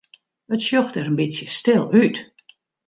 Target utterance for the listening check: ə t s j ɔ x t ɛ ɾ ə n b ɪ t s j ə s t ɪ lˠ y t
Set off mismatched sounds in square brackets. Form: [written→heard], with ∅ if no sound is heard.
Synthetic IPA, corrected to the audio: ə t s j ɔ x t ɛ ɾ ə n b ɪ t s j ə s t ɪ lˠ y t

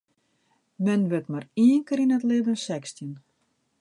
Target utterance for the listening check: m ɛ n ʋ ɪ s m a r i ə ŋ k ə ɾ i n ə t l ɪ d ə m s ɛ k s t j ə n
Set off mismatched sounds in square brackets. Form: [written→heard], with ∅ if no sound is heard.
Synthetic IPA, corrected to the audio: m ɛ n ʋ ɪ [s→t] m a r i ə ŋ k ə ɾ i n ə t l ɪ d ə [m→n] s ɛ k s t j ə n

